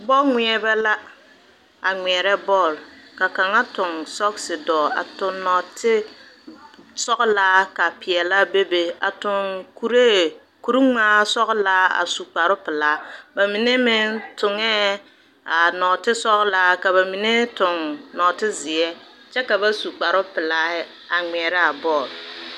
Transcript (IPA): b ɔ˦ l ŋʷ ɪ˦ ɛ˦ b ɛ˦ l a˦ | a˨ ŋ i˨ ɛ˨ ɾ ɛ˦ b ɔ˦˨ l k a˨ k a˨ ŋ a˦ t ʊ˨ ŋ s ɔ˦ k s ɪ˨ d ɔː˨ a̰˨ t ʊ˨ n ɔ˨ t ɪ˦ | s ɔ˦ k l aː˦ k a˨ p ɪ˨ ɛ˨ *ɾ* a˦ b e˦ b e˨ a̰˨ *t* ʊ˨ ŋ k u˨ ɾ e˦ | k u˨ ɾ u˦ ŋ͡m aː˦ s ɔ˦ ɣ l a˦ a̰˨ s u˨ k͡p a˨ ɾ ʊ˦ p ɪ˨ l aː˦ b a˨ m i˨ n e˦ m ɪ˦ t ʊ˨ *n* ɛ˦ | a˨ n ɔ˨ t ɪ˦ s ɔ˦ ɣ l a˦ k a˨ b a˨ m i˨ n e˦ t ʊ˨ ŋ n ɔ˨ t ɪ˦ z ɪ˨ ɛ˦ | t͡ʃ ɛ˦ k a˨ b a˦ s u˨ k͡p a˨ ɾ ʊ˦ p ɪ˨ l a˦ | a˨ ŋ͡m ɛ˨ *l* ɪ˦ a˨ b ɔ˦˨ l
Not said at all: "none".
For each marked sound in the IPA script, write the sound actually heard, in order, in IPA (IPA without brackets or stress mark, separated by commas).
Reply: l, t, ŋ, ɾ